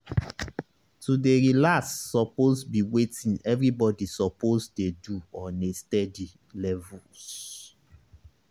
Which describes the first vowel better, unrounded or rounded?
rounded